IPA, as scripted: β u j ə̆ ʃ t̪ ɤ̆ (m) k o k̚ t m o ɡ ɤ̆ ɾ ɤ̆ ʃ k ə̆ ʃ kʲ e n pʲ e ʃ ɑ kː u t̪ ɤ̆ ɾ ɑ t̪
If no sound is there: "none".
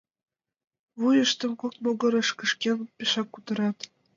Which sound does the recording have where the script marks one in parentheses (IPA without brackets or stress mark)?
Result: m